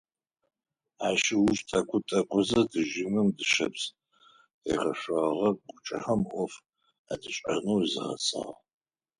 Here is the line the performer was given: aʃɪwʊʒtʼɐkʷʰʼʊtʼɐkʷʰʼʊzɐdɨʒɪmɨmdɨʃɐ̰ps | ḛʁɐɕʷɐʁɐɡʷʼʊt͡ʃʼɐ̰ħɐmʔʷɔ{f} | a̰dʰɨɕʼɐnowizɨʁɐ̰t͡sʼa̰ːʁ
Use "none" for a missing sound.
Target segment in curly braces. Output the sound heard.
f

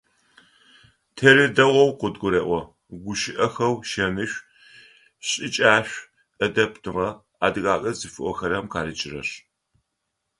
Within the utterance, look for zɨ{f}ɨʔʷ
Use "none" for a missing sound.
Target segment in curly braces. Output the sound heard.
f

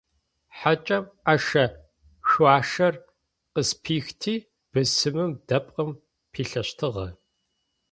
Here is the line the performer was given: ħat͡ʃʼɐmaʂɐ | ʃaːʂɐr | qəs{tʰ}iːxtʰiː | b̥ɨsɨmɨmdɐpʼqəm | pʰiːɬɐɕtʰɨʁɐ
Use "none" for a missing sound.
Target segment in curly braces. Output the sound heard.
pʰ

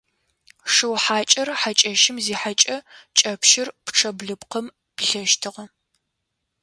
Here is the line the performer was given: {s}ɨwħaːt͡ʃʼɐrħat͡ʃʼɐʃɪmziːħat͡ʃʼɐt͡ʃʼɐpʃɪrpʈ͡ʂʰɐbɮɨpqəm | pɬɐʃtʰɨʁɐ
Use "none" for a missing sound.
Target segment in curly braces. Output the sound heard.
ʂ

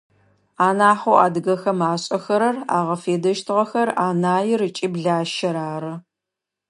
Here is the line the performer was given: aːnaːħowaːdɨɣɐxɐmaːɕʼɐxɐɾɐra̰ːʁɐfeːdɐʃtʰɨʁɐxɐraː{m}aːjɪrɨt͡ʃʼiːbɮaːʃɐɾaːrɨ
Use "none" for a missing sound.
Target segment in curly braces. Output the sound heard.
n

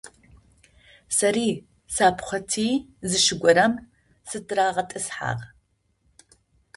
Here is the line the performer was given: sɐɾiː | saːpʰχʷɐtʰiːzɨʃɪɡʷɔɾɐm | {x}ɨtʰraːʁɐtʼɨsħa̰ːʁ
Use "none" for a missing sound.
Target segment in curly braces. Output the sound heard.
s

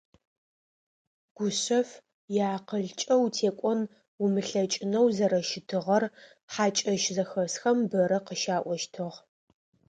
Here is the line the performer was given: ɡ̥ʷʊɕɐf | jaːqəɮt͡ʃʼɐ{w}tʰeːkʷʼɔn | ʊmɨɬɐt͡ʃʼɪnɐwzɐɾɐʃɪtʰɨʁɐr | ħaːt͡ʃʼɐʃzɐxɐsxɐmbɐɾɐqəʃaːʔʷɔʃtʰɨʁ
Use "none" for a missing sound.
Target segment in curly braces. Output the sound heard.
w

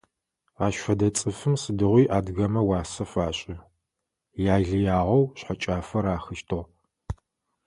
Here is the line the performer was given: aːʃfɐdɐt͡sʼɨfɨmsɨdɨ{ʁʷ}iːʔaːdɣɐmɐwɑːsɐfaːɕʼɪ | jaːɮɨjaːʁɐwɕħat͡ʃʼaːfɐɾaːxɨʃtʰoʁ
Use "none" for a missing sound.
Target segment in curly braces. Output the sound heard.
ʁʷ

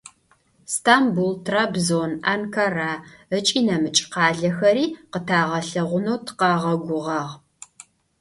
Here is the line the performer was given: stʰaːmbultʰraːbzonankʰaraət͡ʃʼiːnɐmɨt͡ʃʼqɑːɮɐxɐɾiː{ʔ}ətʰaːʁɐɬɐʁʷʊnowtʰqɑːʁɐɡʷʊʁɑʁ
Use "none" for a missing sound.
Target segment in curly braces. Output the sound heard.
q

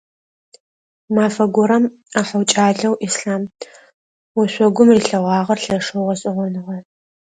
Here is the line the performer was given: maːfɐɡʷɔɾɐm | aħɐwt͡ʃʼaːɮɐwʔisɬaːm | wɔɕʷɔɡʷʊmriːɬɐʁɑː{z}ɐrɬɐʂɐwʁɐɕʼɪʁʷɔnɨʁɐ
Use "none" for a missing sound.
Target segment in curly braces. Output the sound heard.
ʁ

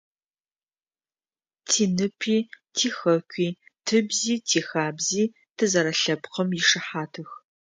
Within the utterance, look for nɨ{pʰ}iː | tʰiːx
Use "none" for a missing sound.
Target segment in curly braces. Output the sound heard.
pʰ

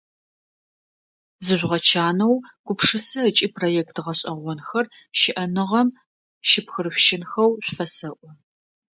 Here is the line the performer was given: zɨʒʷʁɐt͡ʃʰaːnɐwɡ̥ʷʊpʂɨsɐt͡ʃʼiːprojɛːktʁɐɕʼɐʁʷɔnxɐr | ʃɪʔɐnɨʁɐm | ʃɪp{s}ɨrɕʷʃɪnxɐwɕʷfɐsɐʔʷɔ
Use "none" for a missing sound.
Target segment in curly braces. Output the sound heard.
x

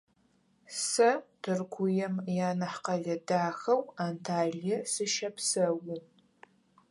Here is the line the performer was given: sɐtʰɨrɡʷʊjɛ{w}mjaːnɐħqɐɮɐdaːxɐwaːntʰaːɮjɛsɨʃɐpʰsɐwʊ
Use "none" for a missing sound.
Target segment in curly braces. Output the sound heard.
none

